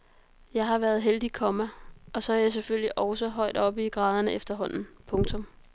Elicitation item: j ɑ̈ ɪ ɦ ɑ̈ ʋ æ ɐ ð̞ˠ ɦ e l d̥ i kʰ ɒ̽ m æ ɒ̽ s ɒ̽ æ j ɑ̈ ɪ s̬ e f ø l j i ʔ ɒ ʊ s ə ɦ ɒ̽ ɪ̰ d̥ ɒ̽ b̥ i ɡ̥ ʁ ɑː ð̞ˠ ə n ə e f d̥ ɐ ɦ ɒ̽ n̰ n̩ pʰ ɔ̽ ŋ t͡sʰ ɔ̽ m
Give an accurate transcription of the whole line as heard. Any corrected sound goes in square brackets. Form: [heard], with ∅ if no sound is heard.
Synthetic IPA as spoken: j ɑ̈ ɪ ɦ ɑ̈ ʋ æ ɐ ð̞ˠ ɦ e l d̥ i kʰ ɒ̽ m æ ɒ̽ s ɒ̽ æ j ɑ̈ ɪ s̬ e f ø l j i ʔ ɒ ʊ s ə ɦ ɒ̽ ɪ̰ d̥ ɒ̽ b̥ i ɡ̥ ʁ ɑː ð̞ˠ [ɐ] n ə e f d̥ ɐ ɦ ɒ̽ n̰ n̩ pʰ ɔ̽ ŋ t͡sʰ ɔ̽ m